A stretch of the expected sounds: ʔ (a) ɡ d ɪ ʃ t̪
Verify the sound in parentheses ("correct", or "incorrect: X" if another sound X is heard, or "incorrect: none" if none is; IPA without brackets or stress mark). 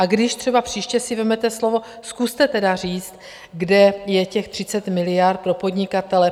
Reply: correct